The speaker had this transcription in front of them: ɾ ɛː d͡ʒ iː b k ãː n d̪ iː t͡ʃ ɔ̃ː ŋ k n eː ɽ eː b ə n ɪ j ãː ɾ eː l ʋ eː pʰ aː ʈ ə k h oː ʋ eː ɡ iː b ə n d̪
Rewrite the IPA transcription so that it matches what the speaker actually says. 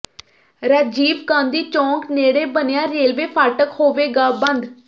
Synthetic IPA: ɾ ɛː d͡ʒ iː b k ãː n d̪ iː t͡ʃ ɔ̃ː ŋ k n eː ɽ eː b ə n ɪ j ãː ɾ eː l ʋ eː pʰ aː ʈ ə k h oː ʋ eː ɡ aː b ə n d̪